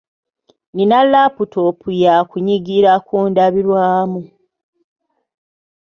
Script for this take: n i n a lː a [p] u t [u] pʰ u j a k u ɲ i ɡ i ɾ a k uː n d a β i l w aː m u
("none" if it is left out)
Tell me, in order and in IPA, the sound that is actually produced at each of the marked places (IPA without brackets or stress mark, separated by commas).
p, o